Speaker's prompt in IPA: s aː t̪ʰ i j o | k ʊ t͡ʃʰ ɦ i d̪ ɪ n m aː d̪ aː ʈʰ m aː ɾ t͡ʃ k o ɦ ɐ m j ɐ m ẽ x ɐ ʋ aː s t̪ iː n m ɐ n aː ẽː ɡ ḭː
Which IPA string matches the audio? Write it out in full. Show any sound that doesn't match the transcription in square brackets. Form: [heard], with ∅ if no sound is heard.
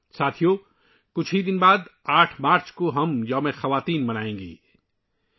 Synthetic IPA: s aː t̪ʰ i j o | k ʊ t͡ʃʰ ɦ i d̪ ɪ n [b] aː d̪ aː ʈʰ m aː ɾ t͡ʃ k o ɦ ɐ m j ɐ m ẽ x ɐ ʋ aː [∅] t̪ iː n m ɐ n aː ẽː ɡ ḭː